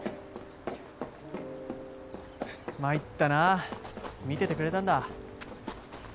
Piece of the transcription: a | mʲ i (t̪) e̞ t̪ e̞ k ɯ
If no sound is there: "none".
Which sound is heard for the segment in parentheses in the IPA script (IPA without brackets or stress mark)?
t̪